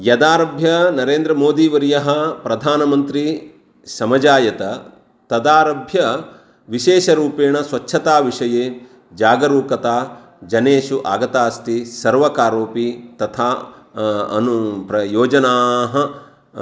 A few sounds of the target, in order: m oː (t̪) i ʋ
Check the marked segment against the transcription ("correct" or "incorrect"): incorrect